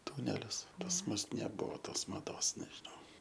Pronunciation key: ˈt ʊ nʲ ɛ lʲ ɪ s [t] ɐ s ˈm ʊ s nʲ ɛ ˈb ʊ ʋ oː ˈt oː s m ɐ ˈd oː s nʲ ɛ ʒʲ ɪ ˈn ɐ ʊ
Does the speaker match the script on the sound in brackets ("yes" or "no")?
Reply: no